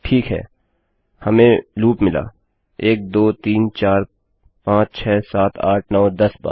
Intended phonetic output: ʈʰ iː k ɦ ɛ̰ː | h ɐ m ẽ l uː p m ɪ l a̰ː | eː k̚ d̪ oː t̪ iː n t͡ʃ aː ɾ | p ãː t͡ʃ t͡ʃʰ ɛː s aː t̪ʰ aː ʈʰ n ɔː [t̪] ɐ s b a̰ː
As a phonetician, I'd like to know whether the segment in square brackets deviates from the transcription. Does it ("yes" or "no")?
yes